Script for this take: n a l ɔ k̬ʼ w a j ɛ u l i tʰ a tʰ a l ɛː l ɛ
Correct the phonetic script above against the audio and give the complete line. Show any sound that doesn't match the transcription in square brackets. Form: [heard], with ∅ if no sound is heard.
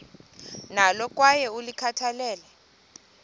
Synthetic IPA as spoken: n a l ɔ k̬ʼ w a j ɛ u l i [kʰ] a tʰ a l ɛː l ɛ

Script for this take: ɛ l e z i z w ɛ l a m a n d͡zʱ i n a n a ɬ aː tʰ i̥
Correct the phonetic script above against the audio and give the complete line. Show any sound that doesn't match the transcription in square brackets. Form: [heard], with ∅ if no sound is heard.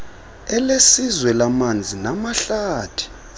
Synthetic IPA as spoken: ɛ l e [s] i z w ɛ l a m a n d͡zʱ i n a [m] a ɬ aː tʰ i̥

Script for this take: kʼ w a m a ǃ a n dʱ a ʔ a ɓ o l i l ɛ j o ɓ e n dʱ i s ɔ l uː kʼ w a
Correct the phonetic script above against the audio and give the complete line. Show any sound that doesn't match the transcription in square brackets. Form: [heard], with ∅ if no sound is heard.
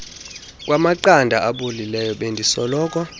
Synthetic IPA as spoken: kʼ w a m a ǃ a n dʱ a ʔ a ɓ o l i l ɛ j [ɔ] ɓ e n dʱ i s ɔ l [ɔː] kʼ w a

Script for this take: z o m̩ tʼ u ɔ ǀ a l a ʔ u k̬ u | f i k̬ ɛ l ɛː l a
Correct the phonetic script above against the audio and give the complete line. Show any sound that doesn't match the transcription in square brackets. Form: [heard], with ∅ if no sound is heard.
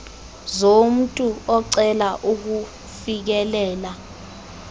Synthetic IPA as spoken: z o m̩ tʼ u ɔ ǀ [ɛ] l a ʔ u k̬ u | f i k̬ ɛ l ɛː l a

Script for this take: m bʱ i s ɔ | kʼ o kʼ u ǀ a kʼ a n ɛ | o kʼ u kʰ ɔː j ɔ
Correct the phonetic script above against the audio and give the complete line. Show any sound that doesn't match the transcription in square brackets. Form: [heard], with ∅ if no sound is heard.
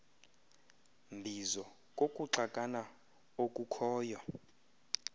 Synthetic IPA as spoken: m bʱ i [z] ɔ | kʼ o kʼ u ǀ a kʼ a n [a] | o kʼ u kʰ ɔː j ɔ

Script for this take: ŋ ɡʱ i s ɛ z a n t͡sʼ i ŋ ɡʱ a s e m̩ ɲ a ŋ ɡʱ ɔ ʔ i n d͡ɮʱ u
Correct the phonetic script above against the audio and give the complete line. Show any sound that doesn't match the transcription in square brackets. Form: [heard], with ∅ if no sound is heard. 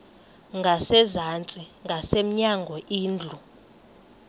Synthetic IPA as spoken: ŋ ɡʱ [a] s ɛ z a n t͡sʼ i ŋ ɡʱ a s e m̩ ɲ a ŋ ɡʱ ɔ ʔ [iː] n d͡ɮʱ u

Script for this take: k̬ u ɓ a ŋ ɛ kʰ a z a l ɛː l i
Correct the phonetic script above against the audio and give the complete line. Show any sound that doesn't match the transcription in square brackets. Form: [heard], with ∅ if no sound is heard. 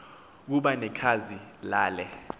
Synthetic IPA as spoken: k̬ u ɓ a [n] ɛ kʰ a z [i] l [aː] l [ɛ]

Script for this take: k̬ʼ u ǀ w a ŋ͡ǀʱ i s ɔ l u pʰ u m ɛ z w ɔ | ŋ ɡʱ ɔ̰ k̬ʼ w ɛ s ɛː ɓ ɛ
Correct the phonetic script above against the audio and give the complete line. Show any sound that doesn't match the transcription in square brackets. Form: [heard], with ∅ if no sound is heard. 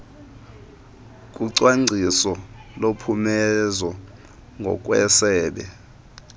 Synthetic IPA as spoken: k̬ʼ u ǀ w a ŋ͡ǀʱ i s ɔ l [o] pʰ u m ɛ z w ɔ | ŋ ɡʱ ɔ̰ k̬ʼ w ɛ s ɛː ɓ ɛ

